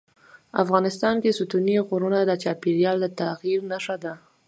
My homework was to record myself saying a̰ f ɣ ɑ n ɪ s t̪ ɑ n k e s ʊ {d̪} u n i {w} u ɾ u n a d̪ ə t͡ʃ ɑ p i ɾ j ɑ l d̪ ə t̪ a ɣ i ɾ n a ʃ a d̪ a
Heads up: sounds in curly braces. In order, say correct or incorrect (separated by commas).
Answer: incorrect, incorrect